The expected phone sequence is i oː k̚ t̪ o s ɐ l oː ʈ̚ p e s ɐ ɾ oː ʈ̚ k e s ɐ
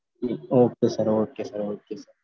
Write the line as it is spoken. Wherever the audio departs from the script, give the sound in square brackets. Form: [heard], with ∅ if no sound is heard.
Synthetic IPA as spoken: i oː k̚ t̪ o s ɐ [ɾ] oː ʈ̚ [k] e s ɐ ɾ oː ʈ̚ k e s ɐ

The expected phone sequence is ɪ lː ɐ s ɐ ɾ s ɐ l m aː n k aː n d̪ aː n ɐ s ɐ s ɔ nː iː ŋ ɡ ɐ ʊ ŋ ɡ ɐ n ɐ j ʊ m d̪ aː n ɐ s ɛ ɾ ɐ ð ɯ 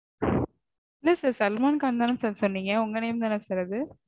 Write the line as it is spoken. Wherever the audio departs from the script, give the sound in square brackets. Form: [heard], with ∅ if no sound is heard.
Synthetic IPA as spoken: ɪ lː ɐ s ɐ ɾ s ɐ l m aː n k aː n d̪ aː n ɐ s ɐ s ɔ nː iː ŋ ɡ ɐ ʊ ŋ ɡ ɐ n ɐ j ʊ m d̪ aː n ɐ s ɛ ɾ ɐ ð ɯ

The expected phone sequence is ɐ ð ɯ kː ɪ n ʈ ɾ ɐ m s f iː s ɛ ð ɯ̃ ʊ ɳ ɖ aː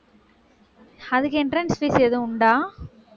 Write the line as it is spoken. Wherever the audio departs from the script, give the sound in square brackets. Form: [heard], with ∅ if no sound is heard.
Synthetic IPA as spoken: ɐ ð ɯ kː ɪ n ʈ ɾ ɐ [n] s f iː s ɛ ð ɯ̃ ʊ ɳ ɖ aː

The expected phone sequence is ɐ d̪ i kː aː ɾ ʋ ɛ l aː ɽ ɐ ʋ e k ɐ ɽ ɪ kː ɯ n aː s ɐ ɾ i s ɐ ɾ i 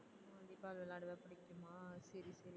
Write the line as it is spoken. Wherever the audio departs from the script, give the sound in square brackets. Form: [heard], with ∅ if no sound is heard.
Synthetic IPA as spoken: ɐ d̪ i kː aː [l] ʋ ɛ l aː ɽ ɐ ʋ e [p] ɐ ɽ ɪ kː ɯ [m] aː s ɐ ɾ i s ɐ ɾ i

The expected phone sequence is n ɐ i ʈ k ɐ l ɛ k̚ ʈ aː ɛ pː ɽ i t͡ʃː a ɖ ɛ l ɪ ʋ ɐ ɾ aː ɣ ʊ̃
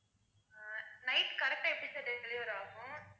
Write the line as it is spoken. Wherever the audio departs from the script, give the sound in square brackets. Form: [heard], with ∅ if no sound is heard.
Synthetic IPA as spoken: n ɐ [ɪ] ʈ k ɐ [ɾ] ɛ k̚ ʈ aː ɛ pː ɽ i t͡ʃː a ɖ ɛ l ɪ ʋ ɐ ɾ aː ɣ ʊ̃

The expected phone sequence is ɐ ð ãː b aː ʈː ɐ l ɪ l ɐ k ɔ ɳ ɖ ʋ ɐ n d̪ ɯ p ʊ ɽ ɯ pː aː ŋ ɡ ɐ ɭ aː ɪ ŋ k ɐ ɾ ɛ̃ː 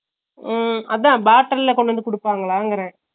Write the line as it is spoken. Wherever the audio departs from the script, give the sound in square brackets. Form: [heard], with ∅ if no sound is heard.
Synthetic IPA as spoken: ɐ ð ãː b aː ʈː ɐ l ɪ l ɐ k ɔ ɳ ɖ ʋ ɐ n d̪ ɯ [k] ʊ ɽ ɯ pː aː ŋ ɡ ɐ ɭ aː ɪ ŋ [ɡ] ɐ ɾ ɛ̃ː

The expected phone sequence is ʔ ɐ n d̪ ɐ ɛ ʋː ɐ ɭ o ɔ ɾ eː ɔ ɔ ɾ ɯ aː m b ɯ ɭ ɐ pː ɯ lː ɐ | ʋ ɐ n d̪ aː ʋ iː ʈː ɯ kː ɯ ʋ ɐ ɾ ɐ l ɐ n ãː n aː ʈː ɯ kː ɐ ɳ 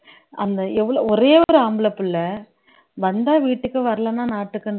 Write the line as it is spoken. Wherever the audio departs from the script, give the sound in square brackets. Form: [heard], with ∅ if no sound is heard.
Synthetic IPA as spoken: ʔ ɐ n d̪ ɐ ɛ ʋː ɐ ɭ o ɔ ɾ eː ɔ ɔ ɾ ɯ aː m b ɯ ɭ ɐ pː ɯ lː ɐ | ʋ ɐ n d̪ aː ʋ iː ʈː ɯ kː ɯ ʋ ɐ ɾ ɐ l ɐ n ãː n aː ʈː ɯ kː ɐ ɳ

